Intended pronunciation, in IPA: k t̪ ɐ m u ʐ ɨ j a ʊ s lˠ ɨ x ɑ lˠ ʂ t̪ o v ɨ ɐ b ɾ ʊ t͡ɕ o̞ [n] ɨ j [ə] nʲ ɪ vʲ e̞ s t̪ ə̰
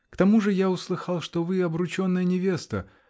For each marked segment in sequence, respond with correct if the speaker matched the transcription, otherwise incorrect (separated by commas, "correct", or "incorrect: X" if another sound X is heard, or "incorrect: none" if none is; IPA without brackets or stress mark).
incorrect: nː, correct